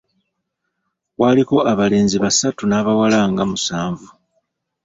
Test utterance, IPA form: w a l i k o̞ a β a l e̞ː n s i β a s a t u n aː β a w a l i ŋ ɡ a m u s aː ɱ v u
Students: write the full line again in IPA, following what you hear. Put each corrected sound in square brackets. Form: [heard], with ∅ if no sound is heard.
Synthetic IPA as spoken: w a l i k o̞ a β a l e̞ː n [z] i β a s a t u n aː β a w a l [a] ŋ ɡ a m u s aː ɱ v u